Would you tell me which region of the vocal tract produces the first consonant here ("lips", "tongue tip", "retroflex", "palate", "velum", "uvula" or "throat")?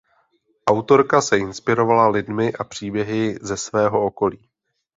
throat